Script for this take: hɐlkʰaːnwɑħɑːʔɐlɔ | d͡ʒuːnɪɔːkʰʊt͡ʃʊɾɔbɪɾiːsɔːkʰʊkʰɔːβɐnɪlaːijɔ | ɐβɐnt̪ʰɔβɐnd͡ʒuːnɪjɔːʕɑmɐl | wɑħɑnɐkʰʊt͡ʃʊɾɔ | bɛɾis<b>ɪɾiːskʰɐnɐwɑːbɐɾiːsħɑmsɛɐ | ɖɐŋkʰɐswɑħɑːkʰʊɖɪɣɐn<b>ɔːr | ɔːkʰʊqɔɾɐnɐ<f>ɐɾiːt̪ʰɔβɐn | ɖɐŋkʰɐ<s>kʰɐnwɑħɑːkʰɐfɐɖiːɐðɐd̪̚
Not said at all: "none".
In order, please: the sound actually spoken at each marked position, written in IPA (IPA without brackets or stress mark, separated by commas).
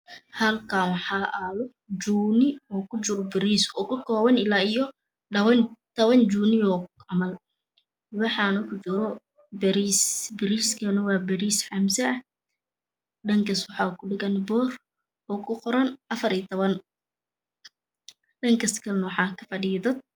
b, b, f, s